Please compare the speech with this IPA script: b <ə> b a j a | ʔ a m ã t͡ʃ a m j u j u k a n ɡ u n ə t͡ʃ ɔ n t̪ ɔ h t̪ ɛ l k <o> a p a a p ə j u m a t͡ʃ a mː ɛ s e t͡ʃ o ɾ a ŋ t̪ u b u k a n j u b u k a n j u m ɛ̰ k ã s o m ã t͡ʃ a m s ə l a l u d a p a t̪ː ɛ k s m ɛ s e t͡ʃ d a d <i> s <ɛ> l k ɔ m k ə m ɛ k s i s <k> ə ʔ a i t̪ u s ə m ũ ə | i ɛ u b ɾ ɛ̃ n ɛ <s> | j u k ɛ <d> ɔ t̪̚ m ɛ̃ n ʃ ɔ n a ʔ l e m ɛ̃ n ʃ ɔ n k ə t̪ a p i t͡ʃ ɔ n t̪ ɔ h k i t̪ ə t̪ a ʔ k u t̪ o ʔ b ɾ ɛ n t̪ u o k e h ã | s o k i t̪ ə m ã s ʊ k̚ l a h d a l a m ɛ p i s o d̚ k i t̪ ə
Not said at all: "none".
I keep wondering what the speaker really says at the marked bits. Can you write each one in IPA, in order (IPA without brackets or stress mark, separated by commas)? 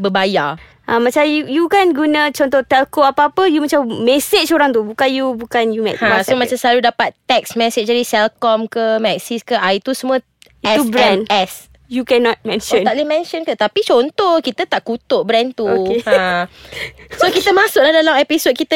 ə, o, i, ɛ, k, s, n